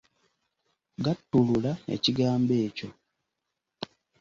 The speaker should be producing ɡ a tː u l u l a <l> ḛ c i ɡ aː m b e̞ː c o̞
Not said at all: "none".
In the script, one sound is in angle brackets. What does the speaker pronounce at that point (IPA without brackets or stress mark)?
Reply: none